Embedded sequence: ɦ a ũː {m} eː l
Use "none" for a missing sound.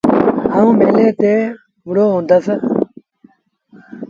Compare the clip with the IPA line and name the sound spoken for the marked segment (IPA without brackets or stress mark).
m